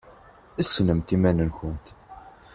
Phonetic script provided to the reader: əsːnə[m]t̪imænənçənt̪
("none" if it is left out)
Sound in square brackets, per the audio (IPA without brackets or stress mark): m